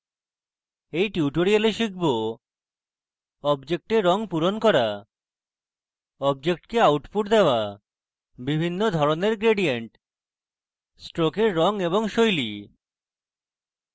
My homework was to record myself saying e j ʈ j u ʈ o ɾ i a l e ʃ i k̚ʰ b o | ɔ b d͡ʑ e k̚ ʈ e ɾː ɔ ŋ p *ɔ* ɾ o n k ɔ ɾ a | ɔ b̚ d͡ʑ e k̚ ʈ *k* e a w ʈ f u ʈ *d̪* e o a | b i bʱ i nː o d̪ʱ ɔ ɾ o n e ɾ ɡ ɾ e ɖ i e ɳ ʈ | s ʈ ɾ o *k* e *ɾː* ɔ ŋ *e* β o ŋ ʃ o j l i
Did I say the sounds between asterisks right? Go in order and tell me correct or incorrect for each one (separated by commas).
incorrect, correct, correct, correct, correct, correct